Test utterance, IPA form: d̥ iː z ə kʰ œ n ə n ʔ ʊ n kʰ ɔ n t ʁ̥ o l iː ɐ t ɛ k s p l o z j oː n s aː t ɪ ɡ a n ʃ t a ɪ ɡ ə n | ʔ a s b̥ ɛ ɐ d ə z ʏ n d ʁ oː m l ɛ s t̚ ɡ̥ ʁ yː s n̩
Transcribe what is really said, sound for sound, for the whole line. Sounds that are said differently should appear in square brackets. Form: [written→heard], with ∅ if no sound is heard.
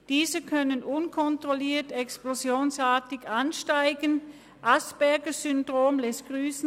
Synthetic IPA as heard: d̥ iː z ə kʰ œ n ə n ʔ ʊ n kʰ ɔ n t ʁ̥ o l iː ɐ t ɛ k s p l o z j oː n s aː t ɪ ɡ a n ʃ t a ɪ ɡ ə n | ʔ a s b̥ ɛ ɐ [d→ɡ] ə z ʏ n d ʁ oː m l ɛ s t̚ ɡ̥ ʁ yː s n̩